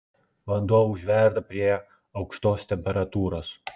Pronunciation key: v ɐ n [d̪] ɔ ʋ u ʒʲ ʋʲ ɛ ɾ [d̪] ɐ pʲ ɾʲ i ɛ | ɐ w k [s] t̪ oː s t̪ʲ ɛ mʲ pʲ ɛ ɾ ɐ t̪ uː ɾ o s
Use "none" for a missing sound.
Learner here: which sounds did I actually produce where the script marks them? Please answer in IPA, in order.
d̪, d̪, ʃ

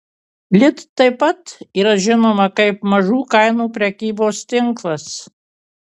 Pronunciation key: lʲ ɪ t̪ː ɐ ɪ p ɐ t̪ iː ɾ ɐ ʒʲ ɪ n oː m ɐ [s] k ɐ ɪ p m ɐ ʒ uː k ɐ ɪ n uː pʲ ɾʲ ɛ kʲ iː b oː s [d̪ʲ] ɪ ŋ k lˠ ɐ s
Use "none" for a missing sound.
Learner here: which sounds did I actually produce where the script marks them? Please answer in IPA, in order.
none, t̪ʲ

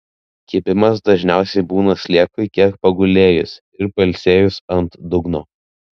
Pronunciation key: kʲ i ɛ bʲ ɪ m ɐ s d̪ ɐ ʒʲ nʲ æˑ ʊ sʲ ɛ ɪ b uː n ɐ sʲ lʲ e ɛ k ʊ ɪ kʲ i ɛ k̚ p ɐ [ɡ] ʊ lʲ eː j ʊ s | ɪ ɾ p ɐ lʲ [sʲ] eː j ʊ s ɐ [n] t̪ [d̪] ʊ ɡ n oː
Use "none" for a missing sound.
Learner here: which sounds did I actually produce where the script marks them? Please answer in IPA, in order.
ɡ, sʲ, n, d̪

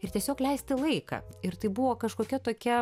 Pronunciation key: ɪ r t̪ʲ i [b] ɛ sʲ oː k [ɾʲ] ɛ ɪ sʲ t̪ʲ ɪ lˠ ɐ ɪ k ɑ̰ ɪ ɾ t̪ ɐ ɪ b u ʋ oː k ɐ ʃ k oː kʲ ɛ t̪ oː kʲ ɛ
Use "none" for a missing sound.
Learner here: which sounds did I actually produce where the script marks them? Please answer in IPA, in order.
none, lʲ

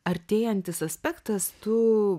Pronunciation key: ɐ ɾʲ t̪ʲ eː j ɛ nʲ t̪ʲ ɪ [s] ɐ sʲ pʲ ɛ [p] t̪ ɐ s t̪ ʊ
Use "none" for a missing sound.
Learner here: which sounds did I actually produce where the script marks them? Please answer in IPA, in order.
s, k

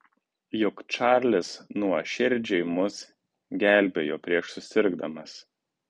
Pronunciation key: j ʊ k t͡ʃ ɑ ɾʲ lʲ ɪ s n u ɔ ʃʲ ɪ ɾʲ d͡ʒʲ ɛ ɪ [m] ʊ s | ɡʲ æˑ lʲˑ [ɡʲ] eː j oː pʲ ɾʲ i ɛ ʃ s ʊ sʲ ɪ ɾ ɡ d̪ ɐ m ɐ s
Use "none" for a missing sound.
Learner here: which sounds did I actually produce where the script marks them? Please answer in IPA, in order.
m, bʲ

